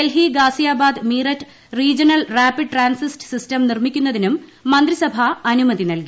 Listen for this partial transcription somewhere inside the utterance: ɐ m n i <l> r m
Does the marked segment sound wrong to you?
yes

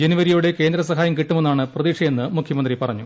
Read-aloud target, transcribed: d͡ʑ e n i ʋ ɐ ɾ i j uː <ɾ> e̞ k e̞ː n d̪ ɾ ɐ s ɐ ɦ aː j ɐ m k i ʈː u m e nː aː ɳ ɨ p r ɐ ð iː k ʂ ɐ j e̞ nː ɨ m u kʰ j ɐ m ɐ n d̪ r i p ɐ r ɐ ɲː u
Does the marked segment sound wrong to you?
yes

